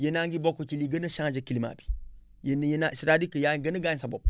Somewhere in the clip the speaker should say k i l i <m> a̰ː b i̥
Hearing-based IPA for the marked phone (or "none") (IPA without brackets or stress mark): m